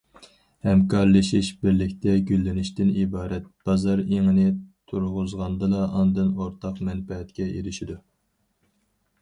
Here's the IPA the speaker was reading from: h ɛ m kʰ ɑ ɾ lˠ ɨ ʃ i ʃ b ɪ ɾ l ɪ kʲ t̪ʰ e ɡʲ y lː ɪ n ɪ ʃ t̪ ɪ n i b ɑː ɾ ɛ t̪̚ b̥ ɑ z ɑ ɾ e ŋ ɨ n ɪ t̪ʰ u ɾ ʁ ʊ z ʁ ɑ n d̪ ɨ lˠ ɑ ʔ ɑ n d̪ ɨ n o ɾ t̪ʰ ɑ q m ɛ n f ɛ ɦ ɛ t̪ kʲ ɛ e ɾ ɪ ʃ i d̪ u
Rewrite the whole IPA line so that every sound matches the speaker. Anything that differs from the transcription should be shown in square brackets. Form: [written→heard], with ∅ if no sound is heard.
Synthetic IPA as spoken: h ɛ m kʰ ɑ ɾ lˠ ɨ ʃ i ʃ b ɪ ɾ l ɪ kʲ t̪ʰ [e→ɛ] ɡʲ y lː ɪ n ɪ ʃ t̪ ɪ n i b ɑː ɾ ɛ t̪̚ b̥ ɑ z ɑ ɾ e ŋ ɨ n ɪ t̪ʰ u ɾ ʁ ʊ z ʁ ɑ n d̪ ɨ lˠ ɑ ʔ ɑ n d̪ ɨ n o ɾ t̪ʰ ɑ q m ɛ n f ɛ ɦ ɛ t̪ kʲ ɛ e ɾ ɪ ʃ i d̪ u